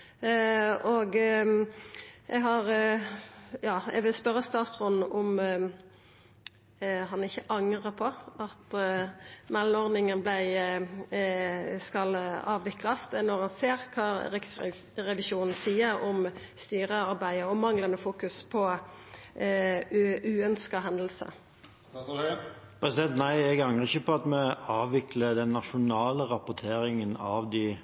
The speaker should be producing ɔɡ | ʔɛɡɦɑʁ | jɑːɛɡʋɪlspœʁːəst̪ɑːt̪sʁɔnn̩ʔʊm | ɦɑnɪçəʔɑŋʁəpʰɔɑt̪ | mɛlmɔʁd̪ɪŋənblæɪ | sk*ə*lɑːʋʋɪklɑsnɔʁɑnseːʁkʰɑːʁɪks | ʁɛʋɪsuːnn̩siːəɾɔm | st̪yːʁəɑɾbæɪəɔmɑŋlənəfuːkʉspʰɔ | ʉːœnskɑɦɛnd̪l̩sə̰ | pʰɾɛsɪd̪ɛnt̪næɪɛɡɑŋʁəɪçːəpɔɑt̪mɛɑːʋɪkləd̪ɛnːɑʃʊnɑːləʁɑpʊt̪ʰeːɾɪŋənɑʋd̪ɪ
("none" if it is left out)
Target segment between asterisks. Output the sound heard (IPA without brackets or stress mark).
ɑ